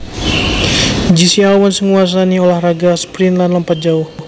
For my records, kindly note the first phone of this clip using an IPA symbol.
d͡ʒ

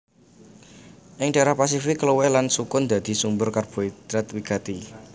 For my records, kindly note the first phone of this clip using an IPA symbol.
ʔ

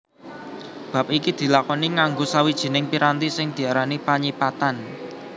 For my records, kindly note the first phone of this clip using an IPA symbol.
b̥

